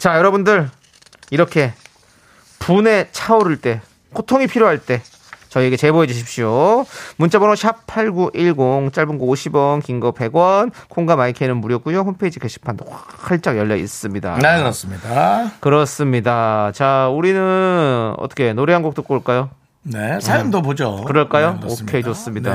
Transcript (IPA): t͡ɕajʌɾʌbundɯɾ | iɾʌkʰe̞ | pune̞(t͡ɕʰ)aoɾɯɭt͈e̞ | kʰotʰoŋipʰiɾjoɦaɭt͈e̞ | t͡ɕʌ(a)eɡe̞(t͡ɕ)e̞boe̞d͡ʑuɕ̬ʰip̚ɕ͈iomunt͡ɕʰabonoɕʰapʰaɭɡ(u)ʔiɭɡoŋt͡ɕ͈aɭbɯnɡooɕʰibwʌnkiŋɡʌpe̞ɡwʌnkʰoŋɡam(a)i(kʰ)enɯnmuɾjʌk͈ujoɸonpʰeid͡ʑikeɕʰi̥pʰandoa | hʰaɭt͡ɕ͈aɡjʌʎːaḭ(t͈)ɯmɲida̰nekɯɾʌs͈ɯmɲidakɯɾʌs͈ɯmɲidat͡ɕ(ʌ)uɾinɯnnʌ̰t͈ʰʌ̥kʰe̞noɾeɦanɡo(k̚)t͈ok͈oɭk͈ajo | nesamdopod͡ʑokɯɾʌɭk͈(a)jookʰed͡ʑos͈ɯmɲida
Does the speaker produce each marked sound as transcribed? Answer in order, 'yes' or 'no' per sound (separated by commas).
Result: yes, no, yes, yes, yes, yes, no, no, yes, yes